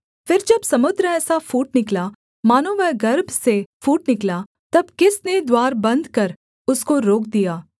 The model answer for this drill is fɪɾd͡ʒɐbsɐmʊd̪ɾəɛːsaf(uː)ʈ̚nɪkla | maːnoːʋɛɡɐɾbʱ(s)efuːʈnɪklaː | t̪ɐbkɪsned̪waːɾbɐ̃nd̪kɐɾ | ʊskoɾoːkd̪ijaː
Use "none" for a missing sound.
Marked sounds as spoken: uː, s

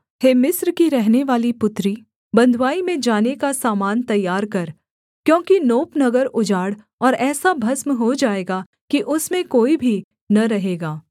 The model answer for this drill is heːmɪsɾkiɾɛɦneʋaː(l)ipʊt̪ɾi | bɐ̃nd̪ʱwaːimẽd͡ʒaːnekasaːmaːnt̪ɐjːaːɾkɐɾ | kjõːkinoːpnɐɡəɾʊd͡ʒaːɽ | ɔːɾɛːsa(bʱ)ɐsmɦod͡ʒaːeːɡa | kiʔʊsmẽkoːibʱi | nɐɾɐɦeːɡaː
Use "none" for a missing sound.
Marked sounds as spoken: l, bʱ

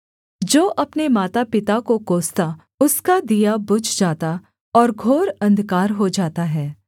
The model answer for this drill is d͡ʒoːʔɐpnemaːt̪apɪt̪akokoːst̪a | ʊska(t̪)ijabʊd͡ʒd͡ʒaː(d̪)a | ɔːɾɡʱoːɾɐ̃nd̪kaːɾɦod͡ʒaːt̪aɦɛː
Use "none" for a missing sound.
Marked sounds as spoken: d̪, t̪

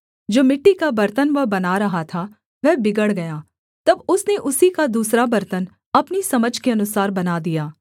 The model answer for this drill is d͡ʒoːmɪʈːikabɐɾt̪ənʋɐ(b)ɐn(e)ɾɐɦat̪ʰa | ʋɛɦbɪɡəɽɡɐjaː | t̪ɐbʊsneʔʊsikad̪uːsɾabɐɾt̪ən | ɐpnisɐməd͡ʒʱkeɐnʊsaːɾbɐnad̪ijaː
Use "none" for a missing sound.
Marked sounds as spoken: b, a

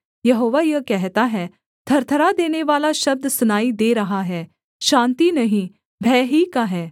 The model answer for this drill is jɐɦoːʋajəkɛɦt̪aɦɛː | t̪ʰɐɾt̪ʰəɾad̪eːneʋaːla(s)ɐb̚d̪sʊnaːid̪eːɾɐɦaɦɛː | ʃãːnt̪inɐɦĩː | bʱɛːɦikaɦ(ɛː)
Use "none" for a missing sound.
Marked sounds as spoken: ʃ, ɛː

